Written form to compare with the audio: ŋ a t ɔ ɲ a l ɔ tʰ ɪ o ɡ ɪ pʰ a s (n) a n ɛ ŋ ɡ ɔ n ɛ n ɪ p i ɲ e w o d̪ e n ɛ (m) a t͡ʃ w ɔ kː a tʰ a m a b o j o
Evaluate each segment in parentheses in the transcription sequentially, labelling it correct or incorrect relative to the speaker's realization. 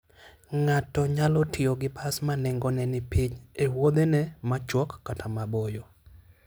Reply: incorrect, correct

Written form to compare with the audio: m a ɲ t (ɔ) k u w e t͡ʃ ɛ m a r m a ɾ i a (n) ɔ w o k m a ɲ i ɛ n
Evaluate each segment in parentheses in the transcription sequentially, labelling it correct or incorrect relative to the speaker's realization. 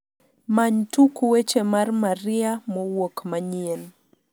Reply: incorrect, incorrect

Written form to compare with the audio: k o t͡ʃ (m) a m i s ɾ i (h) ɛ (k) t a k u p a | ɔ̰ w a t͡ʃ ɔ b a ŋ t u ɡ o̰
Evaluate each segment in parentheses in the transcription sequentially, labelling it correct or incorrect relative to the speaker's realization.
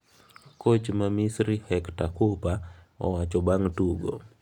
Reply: correct, correct, correct

